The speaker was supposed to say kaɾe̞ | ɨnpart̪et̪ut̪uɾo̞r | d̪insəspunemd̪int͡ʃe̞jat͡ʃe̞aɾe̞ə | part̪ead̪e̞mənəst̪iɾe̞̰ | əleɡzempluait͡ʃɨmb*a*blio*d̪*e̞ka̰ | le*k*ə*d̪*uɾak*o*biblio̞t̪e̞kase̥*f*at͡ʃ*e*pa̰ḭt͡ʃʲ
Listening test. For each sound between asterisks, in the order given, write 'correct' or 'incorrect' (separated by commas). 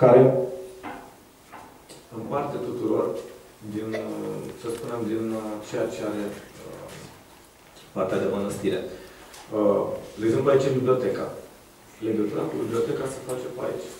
incorrect, incorrect, incorrect, incorrect, incorrect, correct, correct